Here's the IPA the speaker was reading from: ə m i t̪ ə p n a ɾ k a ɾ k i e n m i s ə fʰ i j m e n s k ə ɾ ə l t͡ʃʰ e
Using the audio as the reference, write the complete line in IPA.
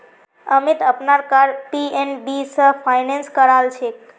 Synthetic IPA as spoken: ə m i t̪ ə p n a ɾ k a ɾ p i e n b i s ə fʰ a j n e n s k ə ɾ a l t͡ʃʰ e